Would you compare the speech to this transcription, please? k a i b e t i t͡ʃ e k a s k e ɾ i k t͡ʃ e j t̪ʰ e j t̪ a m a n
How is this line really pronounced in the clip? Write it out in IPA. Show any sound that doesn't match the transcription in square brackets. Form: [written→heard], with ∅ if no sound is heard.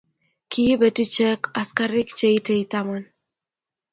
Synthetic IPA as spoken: k [a→i] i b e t i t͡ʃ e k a s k [e→a] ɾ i k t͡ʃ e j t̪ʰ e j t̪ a m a n